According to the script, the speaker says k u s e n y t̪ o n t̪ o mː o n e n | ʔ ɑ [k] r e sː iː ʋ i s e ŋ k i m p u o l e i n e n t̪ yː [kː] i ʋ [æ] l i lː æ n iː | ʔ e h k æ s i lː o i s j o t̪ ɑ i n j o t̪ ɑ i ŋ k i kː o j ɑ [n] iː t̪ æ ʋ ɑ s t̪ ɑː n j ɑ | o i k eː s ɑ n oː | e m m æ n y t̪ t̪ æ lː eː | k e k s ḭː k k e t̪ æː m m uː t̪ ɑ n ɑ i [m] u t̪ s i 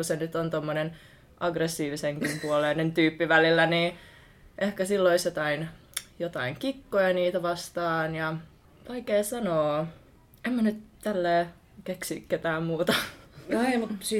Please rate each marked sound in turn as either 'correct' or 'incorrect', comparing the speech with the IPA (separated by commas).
incorrect, incorrect, correct, correct, correct